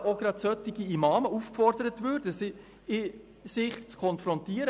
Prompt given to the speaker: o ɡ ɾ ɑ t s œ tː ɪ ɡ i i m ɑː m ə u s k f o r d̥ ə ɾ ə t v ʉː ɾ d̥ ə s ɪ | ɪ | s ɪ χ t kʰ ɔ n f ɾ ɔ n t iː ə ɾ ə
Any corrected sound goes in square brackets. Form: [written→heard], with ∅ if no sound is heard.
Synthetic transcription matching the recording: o ɡ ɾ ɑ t s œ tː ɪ ɡ i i m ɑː m ə u [s→f] k f [o→ɔ] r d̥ ə ɾ ə t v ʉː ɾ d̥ ə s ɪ | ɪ | s ɪ χ [t→t͡s] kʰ ɔ n f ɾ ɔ n t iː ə ɾ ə